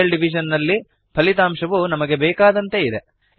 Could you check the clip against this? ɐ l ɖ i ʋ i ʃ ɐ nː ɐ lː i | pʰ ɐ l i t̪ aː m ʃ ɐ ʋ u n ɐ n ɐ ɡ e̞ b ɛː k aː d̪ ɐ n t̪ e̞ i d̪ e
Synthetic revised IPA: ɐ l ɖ i ʋ i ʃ ɐ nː ɐ lː i | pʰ ɐ l i t̪ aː m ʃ ɐ ʋ u n ɐ m ɐ ɡ e̞ b ɛː k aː d̪ ɐ n t̪ e̞ i d̪ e